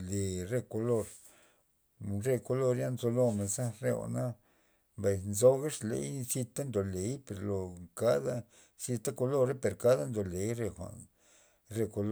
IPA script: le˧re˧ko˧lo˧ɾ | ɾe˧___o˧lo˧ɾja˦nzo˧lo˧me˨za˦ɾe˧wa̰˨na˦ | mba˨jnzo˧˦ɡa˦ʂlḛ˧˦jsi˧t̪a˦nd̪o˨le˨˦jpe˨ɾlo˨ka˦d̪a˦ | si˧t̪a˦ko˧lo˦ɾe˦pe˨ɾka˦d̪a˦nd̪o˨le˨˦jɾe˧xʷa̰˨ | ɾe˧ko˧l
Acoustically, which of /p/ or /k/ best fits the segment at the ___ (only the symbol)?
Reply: k